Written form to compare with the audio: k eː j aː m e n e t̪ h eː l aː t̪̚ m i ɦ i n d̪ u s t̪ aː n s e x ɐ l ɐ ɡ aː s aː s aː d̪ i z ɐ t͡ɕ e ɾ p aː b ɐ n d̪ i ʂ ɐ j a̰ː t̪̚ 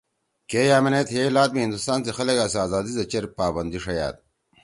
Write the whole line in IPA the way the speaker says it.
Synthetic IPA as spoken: k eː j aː m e n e t̪ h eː l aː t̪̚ m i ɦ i n d̪ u s t̪ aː n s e x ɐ l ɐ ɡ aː s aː z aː d̪ i z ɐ t͡ɕ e ɾ p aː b ɐ n d̪ i ʂ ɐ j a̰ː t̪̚